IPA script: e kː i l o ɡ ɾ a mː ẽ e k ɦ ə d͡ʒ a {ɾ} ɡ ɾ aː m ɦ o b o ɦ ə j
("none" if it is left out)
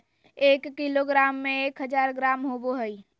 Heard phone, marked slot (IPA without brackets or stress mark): ɾ